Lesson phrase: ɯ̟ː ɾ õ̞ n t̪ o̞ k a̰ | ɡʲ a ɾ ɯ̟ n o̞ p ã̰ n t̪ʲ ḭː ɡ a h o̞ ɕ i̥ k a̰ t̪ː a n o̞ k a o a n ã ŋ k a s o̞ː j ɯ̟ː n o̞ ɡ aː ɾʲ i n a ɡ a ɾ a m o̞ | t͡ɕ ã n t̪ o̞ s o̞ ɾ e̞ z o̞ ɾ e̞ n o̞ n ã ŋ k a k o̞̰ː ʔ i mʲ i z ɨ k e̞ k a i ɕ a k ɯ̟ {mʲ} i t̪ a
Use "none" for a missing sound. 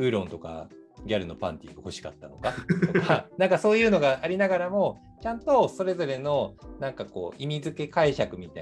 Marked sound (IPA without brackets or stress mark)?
mʲ